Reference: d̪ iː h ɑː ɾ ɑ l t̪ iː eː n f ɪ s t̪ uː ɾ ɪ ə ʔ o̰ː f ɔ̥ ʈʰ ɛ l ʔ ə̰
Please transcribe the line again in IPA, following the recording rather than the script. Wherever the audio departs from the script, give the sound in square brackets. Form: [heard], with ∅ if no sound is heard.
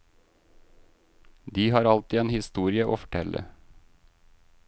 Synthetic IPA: d̪ iː h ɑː ɾ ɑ l t̪ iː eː n [h] ɪ s t̪ uː ɾ ɪ ə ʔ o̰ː f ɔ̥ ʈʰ ɛ l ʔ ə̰